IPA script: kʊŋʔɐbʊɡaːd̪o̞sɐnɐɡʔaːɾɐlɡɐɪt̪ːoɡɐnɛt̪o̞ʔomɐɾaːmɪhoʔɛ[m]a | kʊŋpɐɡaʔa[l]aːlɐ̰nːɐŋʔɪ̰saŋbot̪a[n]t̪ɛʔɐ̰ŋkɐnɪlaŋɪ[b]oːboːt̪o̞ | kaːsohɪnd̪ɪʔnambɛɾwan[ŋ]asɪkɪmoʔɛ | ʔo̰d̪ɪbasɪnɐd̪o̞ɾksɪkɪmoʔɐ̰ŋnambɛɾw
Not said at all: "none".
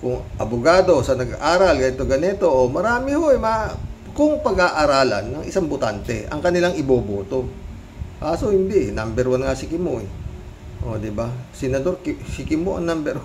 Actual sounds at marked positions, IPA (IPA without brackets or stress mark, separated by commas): m, ɾ, n, b, ŋ